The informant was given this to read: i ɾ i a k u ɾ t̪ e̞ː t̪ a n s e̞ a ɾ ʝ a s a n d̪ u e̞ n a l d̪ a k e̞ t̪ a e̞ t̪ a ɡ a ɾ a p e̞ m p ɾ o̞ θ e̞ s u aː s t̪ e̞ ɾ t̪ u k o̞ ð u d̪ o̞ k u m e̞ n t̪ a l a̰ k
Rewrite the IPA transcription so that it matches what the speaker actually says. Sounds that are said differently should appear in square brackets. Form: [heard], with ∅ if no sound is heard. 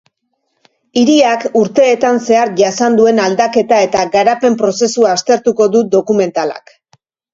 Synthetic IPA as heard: i ɾ i a k u ɾ t̪ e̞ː t̪ a n s e̞ a ɾ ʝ a s a n d̪ u e̞ n a l d̪ a k e̞ t̪ a e̞ t̪ a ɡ a ɾ a p e̞ m p ɾ o̞ [s] e̞ s u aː s t̪ e̞ ɾ t̪ u k o̞ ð u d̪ o̞ k u m e̞ n t̪ a l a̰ k